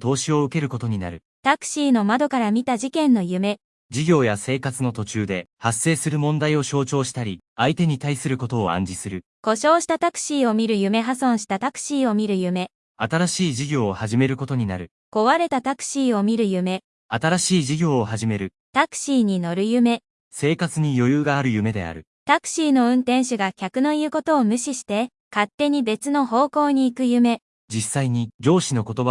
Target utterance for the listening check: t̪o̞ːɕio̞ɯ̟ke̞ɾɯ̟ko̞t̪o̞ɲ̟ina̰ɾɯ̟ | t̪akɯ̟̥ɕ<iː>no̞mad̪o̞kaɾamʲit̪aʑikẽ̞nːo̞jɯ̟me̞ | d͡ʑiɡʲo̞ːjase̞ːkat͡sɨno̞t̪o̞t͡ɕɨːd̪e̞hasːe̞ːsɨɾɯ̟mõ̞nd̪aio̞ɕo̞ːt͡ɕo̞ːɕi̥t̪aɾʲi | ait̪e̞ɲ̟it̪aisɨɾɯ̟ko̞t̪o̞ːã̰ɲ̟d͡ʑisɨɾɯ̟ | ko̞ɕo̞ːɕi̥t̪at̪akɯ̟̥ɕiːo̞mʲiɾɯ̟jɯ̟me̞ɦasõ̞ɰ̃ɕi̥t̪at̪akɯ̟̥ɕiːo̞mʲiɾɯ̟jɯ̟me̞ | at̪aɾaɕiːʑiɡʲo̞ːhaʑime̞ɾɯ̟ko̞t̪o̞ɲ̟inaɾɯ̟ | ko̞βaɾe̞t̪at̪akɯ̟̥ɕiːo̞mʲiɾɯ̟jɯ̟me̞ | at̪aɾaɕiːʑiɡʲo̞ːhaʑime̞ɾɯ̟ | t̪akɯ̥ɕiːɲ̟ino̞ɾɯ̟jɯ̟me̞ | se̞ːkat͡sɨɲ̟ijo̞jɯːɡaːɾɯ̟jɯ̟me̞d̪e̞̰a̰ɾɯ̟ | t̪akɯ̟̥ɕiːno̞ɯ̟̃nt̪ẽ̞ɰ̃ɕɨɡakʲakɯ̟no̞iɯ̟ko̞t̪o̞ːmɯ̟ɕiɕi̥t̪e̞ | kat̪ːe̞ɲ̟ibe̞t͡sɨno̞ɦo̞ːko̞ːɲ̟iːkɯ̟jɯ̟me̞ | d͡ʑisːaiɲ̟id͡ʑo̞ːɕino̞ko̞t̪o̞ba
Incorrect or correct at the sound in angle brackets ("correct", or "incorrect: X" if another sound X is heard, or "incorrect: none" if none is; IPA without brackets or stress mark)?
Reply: correct